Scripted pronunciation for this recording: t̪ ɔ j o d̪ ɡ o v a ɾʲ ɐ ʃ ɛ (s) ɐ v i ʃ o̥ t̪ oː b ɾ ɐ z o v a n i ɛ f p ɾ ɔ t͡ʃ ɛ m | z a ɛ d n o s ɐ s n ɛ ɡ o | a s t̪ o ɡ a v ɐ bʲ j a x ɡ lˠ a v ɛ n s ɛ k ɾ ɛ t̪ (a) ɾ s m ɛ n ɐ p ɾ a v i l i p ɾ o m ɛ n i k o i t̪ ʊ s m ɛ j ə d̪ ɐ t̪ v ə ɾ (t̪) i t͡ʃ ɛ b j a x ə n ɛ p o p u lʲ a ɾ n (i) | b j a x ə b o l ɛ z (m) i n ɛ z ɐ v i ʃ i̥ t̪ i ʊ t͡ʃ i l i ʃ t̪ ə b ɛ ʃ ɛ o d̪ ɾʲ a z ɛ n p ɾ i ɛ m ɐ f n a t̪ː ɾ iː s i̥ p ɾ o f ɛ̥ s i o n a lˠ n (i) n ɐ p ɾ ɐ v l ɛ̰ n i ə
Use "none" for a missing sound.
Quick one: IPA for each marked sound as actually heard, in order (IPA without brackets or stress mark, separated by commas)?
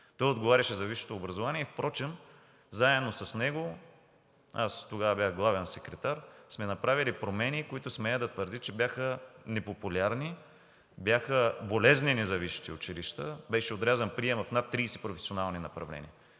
z, a, d̪, i, n, i